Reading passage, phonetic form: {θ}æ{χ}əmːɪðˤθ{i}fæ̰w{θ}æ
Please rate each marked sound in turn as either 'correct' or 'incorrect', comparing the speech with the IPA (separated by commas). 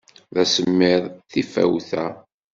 incorrect, incorrect, correct, correct